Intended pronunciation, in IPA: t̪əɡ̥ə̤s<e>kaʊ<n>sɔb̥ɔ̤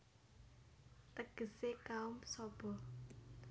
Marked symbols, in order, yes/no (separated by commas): yes, no